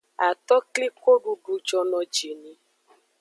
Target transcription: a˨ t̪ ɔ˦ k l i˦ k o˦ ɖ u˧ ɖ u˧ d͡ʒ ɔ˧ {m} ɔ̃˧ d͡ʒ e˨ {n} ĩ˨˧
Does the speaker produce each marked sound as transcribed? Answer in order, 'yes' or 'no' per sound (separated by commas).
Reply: no, yes